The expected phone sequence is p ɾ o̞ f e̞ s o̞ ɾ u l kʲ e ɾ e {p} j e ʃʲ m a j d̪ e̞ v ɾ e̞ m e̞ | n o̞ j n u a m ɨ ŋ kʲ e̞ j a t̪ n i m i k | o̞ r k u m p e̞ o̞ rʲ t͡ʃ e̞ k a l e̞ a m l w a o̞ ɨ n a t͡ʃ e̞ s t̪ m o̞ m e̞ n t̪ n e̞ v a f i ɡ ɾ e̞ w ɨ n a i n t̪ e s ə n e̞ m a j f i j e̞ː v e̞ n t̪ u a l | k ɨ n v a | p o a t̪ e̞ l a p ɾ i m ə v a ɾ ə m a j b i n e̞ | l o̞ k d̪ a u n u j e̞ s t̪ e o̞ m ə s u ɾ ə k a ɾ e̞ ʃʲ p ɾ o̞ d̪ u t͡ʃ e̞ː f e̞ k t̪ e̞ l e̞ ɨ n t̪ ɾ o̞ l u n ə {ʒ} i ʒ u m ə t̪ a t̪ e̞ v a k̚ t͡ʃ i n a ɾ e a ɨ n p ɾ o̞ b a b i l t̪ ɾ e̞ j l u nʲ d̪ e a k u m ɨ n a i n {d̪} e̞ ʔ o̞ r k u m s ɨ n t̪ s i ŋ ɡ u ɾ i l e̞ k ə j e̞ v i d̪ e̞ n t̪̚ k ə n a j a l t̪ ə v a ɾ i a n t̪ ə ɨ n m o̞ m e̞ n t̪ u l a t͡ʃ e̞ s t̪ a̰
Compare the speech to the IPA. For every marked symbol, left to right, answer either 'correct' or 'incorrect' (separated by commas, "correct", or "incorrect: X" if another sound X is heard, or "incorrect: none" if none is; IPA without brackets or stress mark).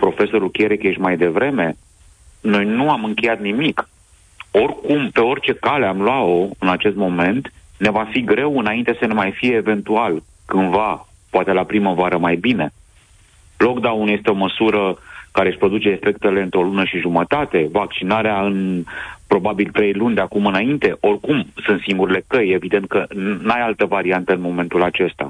incorrect: k, incorrect: ʃ, incorrect: t̪